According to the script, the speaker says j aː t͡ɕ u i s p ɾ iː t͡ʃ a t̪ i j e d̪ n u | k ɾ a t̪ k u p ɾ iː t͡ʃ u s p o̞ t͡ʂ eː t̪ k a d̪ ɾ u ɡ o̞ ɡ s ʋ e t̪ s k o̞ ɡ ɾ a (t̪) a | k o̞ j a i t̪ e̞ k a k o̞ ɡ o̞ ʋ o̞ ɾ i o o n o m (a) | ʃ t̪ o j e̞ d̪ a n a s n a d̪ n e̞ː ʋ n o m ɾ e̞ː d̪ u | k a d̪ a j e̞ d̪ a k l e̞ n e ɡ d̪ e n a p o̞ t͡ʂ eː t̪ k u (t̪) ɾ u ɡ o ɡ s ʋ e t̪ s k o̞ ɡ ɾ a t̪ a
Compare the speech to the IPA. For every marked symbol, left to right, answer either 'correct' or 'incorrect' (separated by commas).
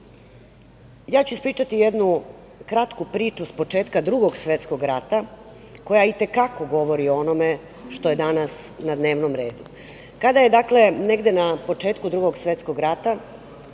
correct, incorrect, incorrect